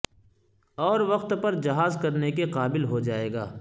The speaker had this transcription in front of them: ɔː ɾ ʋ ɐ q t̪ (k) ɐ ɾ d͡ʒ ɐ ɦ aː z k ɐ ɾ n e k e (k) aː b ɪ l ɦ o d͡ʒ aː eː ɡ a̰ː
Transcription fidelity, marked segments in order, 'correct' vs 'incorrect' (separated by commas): incorrect, incorrect